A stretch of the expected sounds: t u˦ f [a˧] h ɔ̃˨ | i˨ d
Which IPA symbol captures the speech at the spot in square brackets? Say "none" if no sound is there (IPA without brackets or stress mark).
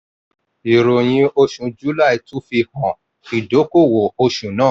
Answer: i˧